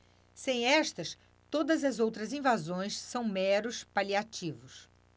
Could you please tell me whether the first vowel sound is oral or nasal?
nasal